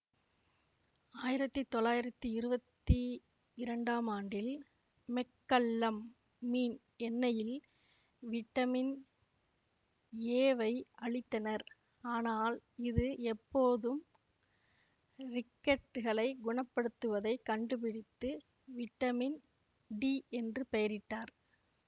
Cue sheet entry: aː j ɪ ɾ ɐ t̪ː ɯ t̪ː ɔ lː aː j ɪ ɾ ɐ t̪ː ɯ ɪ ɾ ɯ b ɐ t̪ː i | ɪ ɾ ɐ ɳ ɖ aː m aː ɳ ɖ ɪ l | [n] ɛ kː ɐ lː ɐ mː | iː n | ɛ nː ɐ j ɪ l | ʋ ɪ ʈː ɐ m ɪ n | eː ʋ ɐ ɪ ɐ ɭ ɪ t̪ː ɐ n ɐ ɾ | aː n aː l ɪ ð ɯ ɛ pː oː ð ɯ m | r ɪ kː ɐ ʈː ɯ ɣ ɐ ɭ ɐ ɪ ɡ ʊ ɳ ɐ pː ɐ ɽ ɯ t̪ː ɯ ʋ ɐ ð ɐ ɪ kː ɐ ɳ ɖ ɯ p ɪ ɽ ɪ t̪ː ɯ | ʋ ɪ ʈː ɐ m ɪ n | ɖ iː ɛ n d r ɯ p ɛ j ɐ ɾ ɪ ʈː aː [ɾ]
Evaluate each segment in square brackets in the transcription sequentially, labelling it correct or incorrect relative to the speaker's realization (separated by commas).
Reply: incorrect, correct